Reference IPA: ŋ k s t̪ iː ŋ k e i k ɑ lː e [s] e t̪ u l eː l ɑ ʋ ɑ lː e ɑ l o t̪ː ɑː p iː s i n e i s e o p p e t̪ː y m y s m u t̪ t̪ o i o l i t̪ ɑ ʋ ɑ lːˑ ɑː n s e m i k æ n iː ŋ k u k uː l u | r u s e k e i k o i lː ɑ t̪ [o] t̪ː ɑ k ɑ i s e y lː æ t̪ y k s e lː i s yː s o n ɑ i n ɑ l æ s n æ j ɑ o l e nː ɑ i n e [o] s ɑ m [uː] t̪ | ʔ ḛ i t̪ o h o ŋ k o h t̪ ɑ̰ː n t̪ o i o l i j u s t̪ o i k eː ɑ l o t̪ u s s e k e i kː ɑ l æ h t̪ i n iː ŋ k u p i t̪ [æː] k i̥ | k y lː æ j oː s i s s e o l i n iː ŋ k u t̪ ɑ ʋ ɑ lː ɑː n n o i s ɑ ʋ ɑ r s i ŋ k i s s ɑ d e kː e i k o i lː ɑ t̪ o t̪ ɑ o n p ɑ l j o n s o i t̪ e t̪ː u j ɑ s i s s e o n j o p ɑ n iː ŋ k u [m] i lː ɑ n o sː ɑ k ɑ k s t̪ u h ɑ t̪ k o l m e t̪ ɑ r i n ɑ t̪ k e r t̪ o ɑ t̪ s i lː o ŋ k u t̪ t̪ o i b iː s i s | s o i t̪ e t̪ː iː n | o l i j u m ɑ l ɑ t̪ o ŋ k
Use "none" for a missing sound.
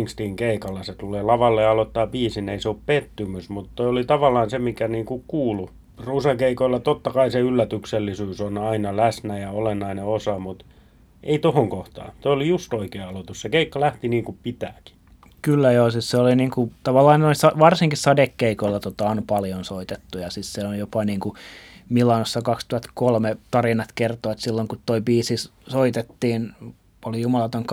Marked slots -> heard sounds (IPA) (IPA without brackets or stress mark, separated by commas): s, o, o, u, æː, m